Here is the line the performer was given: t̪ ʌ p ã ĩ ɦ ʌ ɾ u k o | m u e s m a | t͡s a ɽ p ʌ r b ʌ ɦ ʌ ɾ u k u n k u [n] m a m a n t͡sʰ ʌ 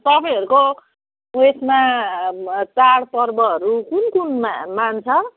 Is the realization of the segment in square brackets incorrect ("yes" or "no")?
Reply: no